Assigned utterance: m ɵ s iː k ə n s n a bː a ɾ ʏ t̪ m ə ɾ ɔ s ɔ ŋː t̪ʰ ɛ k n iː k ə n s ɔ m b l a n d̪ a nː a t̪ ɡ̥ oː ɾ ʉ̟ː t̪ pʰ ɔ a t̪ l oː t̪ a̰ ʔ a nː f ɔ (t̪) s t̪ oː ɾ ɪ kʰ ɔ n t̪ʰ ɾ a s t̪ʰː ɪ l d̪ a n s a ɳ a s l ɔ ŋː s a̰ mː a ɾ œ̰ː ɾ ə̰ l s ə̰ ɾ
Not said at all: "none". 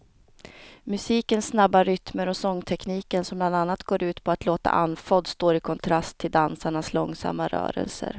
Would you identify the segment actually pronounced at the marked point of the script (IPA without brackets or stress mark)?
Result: d̪